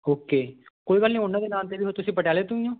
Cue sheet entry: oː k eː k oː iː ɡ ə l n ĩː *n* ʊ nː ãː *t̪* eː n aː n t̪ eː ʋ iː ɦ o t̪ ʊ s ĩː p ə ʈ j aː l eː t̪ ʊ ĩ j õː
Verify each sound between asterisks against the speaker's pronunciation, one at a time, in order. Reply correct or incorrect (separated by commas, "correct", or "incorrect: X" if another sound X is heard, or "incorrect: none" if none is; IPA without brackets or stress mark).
incorrect: none, incorrect: d̪